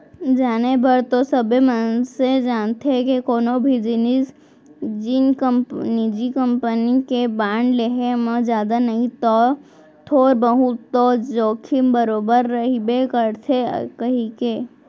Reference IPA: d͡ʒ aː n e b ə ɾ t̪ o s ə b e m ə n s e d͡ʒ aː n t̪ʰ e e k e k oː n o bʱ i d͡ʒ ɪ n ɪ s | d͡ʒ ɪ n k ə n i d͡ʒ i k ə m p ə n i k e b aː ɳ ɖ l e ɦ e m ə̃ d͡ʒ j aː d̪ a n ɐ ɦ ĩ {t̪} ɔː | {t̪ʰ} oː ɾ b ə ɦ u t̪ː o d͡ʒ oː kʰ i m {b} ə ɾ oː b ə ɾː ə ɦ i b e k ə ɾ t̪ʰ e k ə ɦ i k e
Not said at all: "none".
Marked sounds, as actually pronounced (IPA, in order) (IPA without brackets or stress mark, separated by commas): t̪, t̪ʰ, b